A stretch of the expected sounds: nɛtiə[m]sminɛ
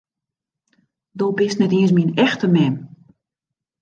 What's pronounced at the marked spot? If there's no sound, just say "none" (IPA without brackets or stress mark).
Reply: n